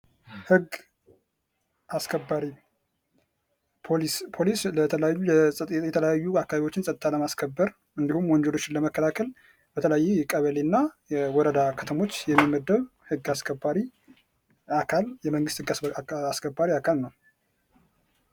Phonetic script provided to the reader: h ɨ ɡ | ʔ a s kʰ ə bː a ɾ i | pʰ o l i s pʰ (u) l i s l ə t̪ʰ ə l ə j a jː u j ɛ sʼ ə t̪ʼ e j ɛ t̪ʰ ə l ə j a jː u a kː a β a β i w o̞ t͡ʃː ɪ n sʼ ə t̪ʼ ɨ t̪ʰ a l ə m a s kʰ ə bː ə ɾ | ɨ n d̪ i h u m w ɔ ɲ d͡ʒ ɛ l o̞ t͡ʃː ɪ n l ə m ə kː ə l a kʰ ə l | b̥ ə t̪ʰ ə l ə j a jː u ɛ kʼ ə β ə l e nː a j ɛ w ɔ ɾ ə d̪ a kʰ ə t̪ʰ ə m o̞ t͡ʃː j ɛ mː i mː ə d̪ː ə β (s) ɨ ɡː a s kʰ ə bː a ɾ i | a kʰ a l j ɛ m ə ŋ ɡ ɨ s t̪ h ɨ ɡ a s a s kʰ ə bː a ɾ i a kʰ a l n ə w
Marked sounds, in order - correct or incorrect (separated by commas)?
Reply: incorrect, incorrect